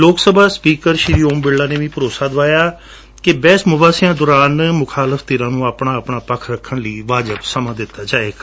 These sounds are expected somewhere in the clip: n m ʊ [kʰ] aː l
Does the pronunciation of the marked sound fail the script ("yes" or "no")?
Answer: no